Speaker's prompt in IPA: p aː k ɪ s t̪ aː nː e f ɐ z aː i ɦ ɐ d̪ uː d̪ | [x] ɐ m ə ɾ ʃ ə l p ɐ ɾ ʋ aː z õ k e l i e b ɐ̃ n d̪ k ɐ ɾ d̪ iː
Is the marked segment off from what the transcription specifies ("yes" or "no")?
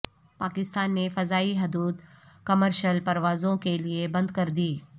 yes